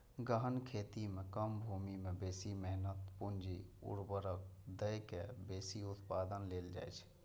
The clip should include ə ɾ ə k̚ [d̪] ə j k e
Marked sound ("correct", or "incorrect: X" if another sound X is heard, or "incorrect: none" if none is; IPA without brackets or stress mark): correct